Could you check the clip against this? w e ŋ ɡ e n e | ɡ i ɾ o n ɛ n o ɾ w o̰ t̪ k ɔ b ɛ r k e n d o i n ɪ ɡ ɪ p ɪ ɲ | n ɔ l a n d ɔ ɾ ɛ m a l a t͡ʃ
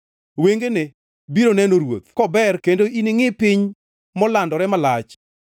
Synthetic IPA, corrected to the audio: w e ŋ ɡ e n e | b i ɾ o n ɛ n o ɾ w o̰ t̪ k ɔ b ɛ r k e n d o i n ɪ ŋ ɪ p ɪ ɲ | m ɔ l a n d ɔ ɾ ɛ m a l a t͡ʃ

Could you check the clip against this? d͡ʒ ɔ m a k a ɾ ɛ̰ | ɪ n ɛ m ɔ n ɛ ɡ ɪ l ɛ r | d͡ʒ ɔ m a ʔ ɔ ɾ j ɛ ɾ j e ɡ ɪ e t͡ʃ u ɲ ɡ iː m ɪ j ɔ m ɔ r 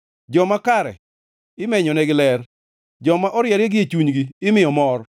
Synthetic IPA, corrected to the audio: d͡ʒ ɔ m a k a ɾ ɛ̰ | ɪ m ɛ ɲ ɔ n ɛ ɡ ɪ l ɛ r | d͡ʒ ɔ m a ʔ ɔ ɾ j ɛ ɾ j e ɡ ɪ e t͡ʃ u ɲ ɡ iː m ɪ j ɔ m ɔ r

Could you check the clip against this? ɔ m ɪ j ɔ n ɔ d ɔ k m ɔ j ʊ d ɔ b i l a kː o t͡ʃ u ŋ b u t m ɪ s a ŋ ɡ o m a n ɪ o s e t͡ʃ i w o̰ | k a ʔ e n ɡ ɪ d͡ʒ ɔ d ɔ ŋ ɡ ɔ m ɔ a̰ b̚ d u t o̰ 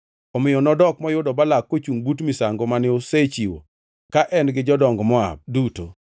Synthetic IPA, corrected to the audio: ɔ m ɪ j ɔ n ɔ d ɔ k m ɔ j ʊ d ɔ b a l a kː o t͡ʃ u ŋ b u t m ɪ s a ŋ ɡ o m a n ɪ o s e t͡ʃ i w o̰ | k a ʔ ɛ n ɡ ɪ d͡ʒ ɔ d ɔ ŋ ɡ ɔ m ɔ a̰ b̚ d u t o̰

